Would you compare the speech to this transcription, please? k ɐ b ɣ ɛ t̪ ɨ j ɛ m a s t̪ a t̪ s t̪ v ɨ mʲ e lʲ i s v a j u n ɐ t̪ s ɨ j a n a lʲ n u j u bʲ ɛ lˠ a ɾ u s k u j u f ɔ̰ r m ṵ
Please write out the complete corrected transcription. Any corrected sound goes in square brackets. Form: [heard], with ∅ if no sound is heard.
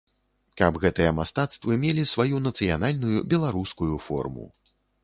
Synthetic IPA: k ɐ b ɣ ɛ t̪ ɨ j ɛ m a s t̪ a t̪ s t̪ v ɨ mʲ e lʲ i s v a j u n ɐ t̪ s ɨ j a n a lʲ n u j u bʲ ɛ lˠ a ɾ u s k u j u f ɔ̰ r m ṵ